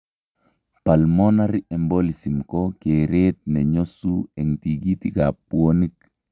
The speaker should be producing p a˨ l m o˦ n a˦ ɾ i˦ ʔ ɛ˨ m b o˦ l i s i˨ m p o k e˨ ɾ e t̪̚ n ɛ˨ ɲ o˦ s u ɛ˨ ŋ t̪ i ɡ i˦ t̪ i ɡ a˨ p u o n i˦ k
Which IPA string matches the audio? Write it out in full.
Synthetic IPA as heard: p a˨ l m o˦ n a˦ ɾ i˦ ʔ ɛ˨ m b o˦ l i s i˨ m k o k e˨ ɾ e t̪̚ n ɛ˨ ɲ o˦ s u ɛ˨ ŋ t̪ i ɡ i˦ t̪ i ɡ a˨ p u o n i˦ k